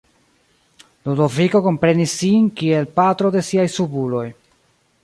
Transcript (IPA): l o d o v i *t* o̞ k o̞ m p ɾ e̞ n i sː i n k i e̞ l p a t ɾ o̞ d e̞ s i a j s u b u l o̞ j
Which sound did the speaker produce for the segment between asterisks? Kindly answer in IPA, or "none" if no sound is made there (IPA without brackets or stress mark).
k